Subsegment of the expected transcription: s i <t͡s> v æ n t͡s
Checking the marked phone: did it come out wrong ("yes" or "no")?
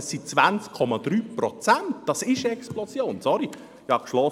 no